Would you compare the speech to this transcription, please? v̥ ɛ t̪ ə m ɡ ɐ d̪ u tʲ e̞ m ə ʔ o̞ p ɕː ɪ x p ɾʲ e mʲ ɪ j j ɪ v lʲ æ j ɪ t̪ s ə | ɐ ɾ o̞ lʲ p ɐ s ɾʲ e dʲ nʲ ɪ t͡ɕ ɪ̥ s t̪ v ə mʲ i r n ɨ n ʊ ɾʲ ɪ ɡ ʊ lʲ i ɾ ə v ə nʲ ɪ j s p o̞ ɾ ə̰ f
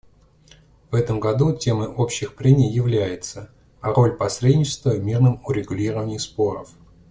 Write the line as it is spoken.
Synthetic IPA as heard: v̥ ɛ t̪ ə m ɡ ɐ d̪ u tʲ e̞ m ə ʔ o̞ p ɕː ɪ x p ɾʲ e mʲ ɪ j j ɪ v lʲ æ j ɪ t̪ s ə | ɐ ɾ o̞ lʲ p ɐ s ɾʲ e dʲ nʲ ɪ t͡ɕ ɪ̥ s t̪ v ə mʲ i r n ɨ m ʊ ɾʲ ɪ ɡ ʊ lʲ i ɾ ə v ə nʲ ɪ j s p o̞ ɾ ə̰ f